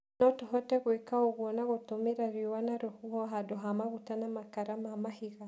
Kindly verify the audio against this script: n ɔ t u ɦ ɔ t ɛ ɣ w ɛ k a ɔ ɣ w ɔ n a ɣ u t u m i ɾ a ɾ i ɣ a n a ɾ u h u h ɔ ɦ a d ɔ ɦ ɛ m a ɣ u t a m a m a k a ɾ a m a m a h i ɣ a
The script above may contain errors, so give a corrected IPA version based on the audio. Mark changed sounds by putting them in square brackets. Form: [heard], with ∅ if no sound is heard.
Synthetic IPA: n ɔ t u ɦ ɔ t ɛ ɣ w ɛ k a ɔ ɣ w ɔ n a ɣ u t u m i ɾ a ɾ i [w] a n a ɾ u h u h ɔ ɦ a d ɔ ɦ [a] m a ɣ u t a [n] a m a k a ɾ a m a m a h i ɣ a

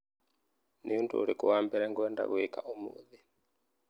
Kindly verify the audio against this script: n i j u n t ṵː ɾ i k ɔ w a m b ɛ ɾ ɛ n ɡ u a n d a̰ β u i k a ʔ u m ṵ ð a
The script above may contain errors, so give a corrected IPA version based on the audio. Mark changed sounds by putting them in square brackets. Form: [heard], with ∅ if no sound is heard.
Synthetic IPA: n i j u n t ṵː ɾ i k [u] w a m b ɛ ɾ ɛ [ŋ] ɡ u [ɛ] n d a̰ β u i k a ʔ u m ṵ ð [i]

